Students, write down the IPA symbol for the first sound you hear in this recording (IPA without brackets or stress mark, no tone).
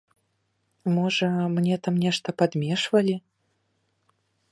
m